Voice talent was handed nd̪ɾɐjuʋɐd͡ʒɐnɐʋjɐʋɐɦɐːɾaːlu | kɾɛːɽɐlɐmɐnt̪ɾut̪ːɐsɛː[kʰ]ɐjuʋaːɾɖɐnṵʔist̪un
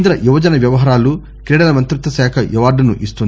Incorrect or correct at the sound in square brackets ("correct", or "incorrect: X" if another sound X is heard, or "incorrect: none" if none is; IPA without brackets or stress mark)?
correct